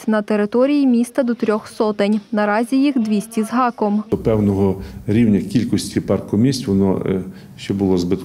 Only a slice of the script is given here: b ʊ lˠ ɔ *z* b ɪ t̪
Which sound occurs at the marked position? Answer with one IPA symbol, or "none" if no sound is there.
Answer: z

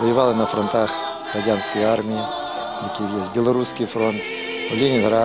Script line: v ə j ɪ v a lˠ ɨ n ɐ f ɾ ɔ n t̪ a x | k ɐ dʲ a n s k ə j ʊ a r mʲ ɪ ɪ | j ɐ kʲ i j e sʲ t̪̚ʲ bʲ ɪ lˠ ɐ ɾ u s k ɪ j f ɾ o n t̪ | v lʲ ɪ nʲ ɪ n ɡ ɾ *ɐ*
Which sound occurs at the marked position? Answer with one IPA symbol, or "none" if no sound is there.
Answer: a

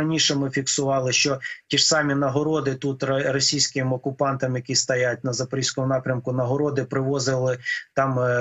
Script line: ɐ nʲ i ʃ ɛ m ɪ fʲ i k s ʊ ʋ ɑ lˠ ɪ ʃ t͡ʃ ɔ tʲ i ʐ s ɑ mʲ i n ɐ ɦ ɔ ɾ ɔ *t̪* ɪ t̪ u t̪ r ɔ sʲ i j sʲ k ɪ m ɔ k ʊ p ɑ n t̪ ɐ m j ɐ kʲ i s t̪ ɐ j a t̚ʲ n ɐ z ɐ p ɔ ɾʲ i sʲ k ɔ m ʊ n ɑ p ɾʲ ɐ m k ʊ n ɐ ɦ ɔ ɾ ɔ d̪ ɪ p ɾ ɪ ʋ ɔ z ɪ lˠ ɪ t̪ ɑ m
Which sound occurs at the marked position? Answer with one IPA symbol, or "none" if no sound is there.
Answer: d̪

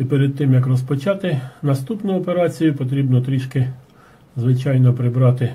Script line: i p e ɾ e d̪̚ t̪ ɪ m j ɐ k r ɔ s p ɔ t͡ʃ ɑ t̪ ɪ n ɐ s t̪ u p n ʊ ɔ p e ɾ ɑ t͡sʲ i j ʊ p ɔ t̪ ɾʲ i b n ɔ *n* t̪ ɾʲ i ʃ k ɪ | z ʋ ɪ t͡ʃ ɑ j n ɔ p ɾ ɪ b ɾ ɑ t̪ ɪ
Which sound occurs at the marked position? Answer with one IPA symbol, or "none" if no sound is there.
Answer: none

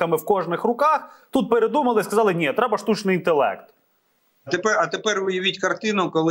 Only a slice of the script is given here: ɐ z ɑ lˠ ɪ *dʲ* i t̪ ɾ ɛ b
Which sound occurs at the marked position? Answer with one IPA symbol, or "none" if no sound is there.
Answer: nʲ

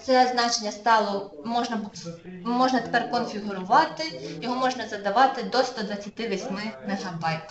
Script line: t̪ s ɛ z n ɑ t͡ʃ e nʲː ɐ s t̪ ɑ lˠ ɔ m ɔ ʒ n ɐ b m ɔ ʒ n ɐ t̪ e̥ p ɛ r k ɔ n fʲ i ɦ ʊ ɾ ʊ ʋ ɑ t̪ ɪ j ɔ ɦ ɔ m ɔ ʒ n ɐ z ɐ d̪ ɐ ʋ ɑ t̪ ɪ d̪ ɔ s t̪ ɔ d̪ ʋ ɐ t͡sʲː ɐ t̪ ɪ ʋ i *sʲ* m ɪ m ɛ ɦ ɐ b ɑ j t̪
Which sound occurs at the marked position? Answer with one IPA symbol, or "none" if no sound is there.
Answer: sʲ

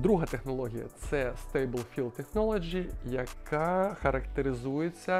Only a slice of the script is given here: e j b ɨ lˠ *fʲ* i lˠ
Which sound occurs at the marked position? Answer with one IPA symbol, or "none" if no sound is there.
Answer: fʲ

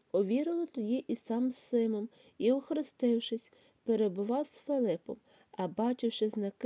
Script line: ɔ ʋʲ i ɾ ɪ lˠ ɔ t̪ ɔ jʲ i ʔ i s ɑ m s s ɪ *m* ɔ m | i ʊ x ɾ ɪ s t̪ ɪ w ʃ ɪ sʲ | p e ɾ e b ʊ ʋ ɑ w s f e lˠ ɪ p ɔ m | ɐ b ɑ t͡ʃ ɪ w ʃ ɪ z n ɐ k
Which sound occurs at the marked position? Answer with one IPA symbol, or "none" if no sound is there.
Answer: m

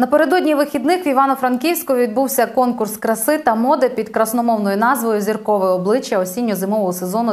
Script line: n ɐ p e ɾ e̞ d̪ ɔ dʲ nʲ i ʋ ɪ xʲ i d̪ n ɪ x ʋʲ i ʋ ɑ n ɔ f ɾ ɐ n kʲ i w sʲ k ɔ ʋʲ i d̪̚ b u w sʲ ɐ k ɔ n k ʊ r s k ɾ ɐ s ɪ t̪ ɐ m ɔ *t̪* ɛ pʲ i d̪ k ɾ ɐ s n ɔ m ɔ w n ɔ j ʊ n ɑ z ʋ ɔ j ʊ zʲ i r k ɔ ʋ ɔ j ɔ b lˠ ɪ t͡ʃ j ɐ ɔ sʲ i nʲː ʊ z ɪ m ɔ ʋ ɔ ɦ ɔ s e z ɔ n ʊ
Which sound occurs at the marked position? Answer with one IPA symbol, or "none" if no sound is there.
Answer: d̪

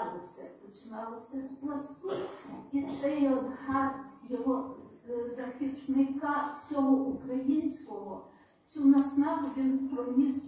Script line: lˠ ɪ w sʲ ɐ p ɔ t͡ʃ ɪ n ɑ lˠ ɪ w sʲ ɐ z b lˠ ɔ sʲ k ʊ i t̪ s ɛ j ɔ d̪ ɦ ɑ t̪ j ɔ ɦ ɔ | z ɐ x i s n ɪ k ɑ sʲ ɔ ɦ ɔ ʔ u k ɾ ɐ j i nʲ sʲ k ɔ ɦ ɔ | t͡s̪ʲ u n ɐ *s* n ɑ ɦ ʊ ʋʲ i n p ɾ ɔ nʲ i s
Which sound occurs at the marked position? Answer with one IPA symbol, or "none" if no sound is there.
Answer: s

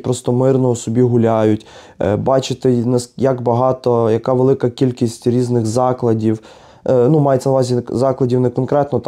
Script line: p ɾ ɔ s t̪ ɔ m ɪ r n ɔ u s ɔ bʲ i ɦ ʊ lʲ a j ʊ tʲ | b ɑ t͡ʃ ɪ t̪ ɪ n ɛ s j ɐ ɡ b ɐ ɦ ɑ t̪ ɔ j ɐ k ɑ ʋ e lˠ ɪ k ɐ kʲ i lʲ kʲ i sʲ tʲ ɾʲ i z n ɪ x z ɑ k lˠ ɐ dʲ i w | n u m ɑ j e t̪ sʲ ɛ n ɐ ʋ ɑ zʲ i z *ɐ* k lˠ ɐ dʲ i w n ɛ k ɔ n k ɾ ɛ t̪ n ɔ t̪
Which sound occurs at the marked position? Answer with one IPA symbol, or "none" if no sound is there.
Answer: ɑ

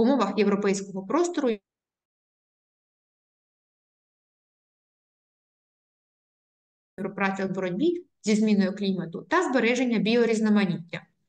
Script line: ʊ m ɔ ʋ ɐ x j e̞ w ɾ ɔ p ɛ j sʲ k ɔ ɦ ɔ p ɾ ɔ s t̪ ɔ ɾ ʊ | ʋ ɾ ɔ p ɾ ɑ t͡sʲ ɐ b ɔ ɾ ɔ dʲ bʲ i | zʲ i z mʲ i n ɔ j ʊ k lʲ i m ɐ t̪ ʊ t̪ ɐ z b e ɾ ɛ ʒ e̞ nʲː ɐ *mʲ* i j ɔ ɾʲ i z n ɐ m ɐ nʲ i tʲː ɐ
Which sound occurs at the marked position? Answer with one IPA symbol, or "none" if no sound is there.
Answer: bʲ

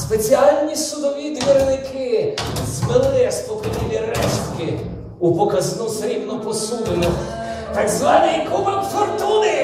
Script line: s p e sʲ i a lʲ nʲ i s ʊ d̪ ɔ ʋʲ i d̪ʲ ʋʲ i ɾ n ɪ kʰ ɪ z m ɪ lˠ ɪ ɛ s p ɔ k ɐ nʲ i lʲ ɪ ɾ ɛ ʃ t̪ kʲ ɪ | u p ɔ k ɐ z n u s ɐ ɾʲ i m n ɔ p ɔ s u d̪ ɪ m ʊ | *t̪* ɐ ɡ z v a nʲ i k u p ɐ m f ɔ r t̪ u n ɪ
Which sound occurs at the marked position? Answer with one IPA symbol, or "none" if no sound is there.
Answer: t̪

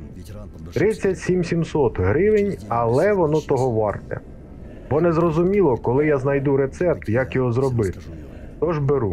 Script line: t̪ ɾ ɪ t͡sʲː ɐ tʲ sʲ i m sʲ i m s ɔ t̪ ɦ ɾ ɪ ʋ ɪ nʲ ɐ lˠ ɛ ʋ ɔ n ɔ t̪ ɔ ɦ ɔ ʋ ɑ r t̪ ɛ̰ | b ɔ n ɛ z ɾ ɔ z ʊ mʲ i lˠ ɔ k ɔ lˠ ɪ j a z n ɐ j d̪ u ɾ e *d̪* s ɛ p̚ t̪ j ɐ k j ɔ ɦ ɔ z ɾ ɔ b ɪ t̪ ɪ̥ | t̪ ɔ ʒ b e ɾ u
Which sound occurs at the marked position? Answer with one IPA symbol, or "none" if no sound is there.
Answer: t̪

